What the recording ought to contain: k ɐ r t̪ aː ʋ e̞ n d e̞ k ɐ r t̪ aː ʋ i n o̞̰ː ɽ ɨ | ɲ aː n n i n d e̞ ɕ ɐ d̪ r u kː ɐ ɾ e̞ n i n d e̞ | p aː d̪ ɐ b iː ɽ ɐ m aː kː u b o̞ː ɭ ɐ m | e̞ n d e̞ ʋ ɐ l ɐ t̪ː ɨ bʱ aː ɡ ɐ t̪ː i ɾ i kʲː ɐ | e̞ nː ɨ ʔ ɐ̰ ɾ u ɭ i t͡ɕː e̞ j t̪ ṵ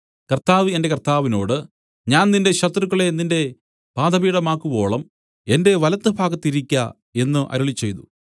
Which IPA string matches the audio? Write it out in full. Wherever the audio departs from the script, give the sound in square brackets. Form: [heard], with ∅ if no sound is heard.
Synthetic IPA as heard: k ɐ r t̪ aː ʋ e̞ n d e̞ k ɐ r t̪ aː ʋ i n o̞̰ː ɽ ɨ | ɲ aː n n i n d e̞ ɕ ɐ [t̪] r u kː ɐ [ɭ] e̞ n i n d e̞ | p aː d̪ ɐ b iː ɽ ɐ m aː kː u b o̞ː ɭ ɐ m | e̞ n d e̞ ʋ ɐ l ɐ t̪ː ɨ bʱ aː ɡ ɐ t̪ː i ɾ i kʲː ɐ | e̞ nː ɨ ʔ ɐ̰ ɾ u ɭ i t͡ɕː e̞ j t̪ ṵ